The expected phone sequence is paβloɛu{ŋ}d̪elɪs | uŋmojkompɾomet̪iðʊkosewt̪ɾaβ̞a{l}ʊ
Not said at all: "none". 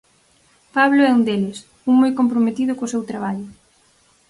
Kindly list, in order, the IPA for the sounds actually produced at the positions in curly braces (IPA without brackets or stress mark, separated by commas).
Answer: n, ʎ